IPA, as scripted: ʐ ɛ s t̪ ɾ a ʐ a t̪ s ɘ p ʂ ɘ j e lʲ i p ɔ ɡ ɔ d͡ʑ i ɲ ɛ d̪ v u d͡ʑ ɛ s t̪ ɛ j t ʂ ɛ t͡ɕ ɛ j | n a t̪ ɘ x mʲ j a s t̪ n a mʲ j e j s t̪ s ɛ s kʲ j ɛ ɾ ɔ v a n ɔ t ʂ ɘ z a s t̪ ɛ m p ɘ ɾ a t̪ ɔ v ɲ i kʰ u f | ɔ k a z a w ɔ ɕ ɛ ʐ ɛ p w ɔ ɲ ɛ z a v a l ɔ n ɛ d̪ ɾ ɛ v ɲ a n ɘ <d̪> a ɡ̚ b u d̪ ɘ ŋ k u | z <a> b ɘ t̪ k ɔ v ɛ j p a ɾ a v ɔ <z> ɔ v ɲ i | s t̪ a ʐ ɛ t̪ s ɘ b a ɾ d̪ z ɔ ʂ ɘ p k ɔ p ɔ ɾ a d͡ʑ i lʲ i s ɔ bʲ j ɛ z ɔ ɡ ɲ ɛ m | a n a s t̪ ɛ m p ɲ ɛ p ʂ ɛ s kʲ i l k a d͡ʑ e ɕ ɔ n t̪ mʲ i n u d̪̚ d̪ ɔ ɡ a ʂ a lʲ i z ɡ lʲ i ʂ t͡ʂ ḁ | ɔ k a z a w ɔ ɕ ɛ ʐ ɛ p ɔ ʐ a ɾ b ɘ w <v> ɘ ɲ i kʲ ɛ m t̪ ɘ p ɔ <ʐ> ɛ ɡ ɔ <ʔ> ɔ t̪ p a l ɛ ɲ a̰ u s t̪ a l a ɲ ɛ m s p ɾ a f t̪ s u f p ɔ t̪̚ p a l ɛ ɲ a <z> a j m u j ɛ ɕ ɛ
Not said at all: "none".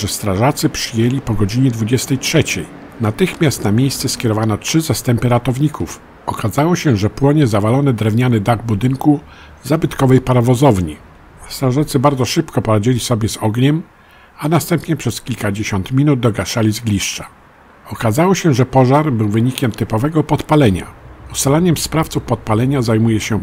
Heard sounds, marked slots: d̪, a, z, v, v, p, z

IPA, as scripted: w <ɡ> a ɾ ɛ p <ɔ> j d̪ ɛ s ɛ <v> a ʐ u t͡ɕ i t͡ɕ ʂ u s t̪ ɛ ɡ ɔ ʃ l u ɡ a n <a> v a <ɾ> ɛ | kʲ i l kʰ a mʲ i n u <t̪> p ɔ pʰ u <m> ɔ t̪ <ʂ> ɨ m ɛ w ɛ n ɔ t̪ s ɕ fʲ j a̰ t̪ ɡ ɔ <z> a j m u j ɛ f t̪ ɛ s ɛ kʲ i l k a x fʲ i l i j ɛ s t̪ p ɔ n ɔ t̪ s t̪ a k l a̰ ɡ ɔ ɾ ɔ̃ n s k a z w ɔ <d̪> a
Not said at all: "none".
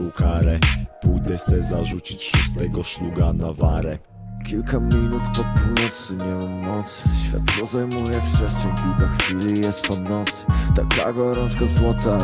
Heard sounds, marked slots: k, u, z, a, ɾ, t̪, n, s, z, t̪

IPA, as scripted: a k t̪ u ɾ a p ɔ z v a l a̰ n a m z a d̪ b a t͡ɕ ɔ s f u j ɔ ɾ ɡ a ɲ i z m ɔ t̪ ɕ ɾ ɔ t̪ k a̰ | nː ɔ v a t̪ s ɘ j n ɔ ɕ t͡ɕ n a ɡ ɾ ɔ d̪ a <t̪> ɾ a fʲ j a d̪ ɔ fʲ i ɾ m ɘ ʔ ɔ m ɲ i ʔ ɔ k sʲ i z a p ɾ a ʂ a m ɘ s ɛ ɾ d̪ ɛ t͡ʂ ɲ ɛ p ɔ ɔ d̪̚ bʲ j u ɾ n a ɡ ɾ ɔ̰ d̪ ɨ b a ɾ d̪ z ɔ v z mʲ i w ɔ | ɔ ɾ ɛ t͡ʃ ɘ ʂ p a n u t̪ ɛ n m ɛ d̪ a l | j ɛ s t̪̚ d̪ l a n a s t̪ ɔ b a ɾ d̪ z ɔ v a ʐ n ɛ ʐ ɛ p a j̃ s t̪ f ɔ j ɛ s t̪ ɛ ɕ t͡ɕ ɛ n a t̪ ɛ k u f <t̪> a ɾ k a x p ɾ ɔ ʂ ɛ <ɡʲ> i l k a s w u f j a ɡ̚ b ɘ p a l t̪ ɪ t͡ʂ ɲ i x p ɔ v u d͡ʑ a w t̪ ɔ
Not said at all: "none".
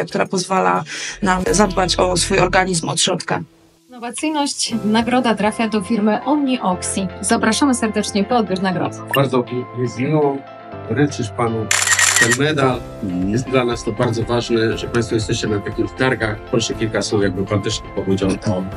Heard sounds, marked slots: t̪, t̪, kʲ

